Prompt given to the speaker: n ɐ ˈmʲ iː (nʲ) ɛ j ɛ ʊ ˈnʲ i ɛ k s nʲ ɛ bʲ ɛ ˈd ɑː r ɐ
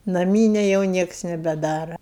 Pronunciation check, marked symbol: correct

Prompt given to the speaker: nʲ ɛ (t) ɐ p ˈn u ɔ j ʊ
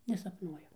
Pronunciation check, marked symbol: incorrect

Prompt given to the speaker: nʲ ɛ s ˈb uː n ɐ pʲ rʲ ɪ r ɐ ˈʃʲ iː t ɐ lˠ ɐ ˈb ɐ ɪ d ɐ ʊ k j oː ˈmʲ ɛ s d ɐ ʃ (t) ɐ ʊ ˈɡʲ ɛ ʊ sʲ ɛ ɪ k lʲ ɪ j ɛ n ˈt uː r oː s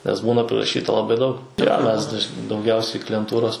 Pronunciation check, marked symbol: incorrect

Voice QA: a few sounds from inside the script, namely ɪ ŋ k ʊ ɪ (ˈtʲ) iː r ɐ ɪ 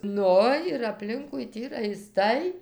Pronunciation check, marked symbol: correct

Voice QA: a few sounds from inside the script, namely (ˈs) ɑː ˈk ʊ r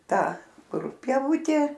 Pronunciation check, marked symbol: incorrect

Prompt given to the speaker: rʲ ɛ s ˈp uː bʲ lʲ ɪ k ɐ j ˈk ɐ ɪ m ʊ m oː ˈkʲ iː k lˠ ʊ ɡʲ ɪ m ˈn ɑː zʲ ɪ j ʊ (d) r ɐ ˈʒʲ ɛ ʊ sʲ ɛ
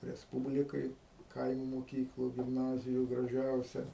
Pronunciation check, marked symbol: incorrect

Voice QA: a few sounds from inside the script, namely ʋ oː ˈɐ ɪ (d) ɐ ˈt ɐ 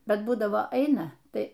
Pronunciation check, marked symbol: incorrect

